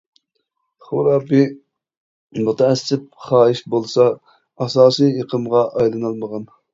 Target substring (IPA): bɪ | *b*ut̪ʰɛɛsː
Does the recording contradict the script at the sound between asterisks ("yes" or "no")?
yes